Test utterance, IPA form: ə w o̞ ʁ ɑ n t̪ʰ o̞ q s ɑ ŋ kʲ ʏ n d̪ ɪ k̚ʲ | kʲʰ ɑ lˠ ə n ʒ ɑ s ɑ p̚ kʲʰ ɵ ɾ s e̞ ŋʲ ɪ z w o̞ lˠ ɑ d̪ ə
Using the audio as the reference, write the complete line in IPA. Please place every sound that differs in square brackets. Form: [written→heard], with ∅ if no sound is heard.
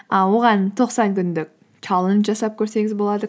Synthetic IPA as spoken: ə w o̞ ʁ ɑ n t̪ʰ o̞ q s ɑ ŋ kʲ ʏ n d̪ ɪ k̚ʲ | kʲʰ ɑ lˠ ə n ʒ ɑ s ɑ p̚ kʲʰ ɵ ɾ s e̞ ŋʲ ɪ z [w→b] o̞ lˠ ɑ d̪ ə

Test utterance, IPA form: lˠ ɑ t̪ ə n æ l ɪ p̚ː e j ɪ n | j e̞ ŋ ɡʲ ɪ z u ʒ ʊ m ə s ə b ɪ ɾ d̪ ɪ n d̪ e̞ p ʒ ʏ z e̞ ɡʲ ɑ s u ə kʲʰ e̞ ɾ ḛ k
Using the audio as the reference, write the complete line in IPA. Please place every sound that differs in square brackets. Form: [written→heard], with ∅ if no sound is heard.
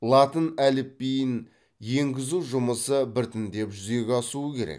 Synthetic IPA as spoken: lˠ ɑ t̪ ə n æ l ɪ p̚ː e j ɪ n | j e̞ ŋ ɡʲ ɪ z u ʒ ʊ m ə s ə b ɪ ɾ [d̪→t̪] ɪ n d̪ e̞ p ʒ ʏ z e̞ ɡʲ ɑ s u ə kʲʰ e̞ ɾ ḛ k

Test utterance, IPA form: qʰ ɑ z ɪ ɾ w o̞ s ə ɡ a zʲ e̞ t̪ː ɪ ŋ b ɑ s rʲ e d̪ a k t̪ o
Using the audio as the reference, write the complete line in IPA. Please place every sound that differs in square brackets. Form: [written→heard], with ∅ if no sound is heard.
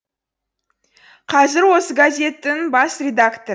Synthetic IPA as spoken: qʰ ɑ z ɪ ɾ w o̞ s ə ɡ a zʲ e̞ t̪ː ɪ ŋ b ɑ s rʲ e d̪ a k t̪ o

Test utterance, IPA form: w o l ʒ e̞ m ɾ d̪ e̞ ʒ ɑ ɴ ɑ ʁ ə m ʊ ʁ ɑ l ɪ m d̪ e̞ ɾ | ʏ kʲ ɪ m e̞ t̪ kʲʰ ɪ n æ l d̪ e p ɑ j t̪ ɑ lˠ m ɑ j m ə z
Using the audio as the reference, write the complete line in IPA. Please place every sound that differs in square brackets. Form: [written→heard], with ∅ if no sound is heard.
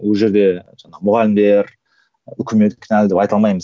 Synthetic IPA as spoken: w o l ʒ e̞ [m→∅] ɾ d̪ e̞ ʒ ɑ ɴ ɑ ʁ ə m ʊ ʁ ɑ l ɪ m d̪ e̞ ɾ | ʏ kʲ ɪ m e̞ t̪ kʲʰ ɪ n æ l d̪ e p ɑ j t̪ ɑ lˠ m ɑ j m ə z

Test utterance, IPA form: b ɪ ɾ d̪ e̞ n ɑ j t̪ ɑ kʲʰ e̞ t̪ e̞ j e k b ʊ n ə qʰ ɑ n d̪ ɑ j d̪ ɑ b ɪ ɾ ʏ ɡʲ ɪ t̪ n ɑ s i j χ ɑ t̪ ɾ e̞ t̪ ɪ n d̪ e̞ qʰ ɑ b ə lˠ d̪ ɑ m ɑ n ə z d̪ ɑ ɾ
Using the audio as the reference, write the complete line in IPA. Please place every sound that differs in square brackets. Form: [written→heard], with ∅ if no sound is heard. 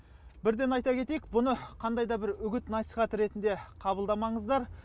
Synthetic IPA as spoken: b ɪ ɾ d̪ e̞ n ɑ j t̪ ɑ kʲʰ e̞ t̪ e̞ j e k b ʊ n ə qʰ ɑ n d̪ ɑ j d̪ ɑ b ɪ ɾ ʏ ɡʲ ɪ t̪ n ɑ s i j χ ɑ t̪ ɾ e̞ t̪ ɪ n d̪ e̞ qʰ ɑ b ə lˠ d̪ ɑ m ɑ [n→ɴ] ə z d̪ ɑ ɾ

